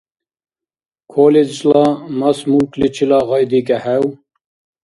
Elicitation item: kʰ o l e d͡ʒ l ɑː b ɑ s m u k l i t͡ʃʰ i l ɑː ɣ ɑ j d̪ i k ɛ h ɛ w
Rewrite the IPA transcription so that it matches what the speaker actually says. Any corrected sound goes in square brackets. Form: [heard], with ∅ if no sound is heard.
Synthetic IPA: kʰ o l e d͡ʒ l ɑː [m] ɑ s m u k l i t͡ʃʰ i l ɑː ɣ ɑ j d̪ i k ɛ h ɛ w